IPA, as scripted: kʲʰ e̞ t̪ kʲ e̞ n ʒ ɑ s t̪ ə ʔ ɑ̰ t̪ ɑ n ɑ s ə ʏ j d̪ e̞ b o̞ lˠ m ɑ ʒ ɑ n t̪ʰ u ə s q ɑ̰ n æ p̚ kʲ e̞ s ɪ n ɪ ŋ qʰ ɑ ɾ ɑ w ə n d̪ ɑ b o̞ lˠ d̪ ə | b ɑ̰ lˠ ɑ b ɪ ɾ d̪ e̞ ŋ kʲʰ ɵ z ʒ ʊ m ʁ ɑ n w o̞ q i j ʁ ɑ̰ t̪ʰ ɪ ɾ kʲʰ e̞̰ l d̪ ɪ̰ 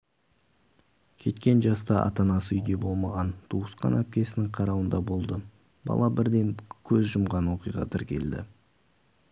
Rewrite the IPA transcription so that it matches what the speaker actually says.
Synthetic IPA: kʲʰ e̞ t̪ kʲ e̞ n ʒ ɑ s t̪ ɑ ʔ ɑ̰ t̪ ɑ n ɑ s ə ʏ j d̪ e̞ b o̞ lˠ m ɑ ʁ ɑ n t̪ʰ u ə s q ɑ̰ n æ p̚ kʲ e̞ s ɪ n ɪ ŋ qʰ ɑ ɾ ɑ w ə n d̪ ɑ b o̞ lˠ d̪ ə | b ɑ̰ lˠ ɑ b ɪ ɾ d̪ e̞ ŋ kʲʰ ɵ z ʒ ʊ m ʁ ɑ n w o̞ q i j ʁ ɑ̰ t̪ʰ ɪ ɾ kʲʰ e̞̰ l d̪ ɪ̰